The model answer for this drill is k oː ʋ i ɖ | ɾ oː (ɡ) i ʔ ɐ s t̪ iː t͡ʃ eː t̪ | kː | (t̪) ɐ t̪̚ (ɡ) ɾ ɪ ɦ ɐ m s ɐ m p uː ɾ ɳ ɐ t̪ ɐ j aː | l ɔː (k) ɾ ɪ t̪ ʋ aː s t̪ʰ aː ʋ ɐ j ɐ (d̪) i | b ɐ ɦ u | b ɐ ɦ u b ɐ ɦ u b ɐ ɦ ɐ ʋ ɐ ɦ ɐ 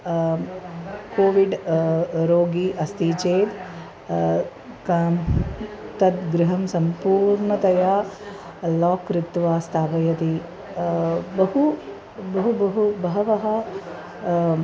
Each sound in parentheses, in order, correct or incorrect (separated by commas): correct, correct, correct, correct, incorrect